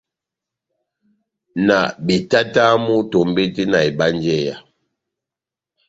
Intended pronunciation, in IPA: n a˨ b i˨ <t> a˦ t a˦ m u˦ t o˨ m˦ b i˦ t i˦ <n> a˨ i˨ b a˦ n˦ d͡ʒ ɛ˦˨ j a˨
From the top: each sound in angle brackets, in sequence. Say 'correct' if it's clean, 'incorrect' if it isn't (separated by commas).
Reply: correct, correct